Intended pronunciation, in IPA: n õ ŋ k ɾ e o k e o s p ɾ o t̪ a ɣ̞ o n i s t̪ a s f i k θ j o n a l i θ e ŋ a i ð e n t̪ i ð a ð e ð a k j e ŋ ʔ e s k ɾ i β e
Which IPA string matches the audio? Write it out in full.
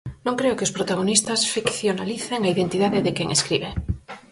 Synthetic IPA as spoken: n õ ŋ k ɾ e o k e o s p ɾ o t̪ a ɣ̞ o n i s t̪ a s f i k θ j o n a l i θ e ŋ a i ð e n t̪ i ð a ð e ð e k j e ŋ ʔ e s k ɾ i β e